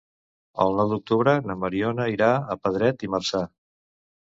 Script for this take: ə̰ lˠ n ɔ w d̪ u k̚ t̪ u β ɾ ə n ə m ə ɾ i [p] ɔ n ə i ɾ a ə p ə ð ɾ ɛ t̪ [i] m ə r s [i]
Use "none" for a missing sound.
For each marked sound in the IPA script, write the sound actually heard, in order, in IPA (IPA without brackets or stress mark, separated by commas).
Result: none, i, a